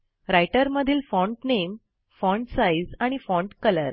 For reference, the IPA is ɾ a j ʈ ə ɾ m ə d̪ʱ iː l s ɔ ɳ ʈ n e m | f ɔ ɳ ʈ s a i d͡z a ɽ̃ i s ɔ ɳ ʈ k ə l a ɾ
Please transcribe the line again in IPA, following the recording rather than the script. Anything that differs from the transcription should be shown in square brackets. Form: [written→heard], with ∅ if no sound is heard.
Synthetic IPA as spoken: ɾ a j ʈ ə ɾ m ə d̪ʱ iː l [s→f] ɔ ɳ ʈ n e m | f ɔ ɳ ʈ s a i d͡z a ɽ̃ i [s→f] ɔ ɳ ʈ k ə l [a→ə] ɾ